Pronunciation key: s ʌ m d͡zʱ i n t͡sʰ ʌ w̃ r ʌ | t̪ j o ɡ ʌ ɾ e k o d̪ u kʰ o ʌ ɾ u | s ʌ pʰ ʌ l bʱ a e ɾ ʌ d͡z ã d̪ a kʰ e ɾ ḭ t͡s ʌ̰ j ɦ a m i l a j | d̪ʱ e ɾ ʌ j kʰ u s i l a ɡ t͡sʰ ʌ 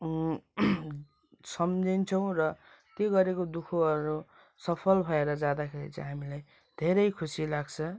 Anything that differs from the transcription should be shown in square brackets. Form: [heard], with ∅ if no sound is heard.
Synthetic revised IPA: s ʌ m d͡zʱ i n t͡sʰ ʌ w̃ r ʌ | t̪ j o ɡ ʌ ɾ e k o d̪ u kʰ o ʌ ɾ u | s ʌ pʰ ʌ l bʱ [ʌ] e ɾ ʌ d͡z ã d̪ a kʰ e ɾ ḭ t͡s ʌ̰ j ɦ a m i l a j | d̪ʱ e ɾ ʌ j kʰ u s i l a ɡ t͡sʰ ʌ